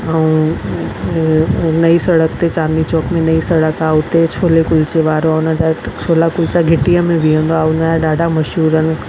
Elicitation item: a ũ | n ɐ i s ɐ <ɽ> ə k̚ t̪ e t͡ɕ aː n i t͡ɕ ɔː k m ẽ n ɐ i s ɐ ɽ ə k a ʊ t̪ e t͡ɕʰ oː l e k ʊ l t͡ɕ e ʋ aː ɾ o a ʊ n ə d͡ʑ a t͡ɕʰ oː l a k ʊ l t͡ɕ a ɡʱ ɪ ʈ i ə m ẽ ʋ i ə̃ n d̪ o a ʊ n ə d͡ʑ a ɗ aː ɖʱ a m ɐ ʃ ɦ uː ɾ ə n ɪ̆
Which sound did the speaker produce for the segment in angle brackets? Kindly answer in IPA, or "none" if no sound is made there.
ɽ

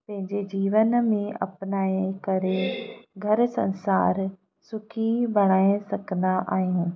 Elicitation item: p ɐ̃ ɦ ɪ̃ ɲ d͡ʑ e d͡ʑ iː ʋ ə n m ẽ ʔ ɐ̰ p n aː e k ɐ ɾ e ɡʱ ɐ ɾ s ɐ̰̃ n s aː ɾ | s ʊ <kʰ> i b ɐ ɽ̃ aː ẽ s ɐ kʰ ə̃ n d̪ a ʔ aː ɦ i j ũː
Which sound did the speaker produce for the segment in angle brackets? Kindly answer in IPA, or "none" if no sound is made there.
kʰ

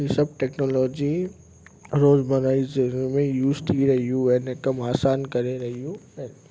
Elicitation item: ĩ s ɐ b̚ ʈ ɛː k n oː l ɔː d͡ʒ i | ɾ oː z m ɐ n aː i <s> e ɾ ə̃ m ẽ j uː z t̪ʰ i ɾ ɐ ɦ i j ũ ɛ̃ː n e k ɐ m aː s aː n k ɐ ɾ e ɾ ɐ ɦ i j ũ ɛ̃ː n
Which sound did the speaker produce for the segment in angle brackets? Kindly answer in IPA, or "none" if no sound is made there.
z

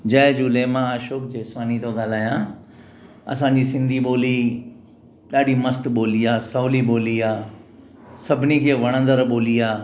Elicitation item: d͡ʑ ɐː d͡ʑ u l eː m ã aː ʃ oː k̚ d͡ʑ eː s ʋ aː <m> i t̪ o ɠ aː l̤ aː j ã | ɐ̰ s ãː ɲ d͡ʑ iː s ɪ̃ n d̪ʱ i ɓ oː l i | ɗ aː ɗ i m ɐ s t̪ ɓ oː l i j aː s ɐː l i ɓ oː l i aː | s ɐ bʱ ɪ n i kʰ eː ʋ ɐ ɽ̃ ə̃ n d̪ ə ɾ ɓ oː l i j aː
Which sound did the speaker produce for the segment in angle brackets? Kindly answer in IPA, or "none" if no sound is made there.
n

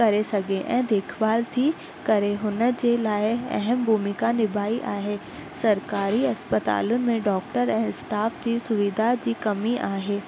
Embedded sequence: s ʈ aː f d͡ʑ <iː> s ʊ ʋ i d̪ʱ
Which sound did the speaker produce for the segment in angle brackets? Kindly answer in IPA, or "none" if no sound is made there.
iː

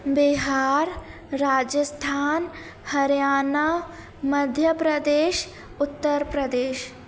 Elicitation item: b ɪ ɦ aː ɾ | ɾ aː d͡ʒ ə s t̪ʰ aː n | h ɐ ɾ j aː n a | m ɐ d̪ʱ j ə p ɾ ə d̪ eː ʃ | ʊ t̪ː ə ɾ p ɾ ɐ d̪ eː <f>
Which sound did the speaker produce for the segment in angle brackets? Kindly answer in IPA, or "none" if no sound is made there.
ʃ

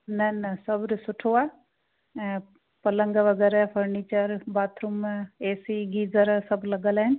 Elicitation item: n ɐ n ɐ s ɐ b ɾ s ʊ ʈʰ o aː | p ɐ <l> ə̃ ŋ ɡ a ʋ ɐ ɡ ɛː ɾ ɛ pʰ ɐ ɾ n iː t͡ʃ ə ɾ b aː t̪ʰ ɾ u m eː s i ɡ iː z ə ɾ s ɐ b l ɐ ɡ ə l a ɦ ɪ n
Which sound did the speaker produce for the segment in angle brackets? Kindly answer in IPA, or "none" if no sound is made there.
l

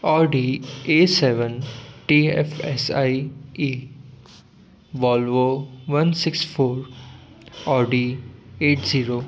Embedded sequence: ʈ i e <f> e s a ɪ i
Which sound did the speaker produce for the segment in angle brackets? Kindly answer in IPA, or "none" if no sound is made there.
f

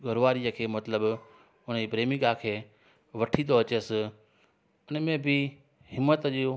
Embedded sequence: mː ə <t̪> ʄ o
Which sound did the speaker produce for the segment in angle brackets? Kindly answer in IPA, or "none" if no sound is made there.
t̪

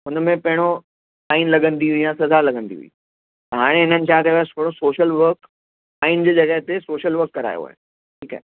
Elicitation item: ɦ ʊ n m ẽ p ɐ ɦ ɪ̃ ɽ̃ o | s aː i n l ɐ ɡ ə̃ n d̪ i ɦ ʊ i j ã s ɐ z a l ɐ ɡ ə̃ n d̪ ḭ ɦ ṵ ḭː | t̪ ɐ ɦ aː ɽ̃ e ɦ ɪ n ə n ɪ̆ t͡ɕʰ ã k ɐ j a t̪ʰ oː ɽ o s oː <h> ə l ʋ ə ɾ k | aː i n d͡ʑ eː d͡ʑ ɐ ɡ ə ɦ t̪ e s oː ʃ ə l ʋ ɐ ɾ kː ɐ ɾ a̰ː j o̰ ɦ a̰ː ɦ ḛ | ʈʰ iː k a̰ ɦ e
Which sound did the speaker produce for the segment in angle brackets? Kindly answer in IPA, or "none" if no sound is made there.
ʃ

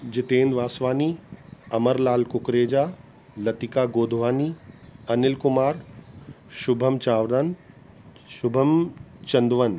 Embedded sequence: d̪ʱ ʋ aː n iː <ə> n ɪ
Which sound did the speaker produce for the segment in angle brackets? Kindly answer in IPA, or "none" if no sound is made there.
ɐ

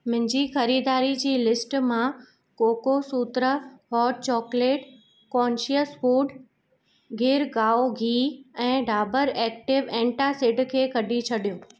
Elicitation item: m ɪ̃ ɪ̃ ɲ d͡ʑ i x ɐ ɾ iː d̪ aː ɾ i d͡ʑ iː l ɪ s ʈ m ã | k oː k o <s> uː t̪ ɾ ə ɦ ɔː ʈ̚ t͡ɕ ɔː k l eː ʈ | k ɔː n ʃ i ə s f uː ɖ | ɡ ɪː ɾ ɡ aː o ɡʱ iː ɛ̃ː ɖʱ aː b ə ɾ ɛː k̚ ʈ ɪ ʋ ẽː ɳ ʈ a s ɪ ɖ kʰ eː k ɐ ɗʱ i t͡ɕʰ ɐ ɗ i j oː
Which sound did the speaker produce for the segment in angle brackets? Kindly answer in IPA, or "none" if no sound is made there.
s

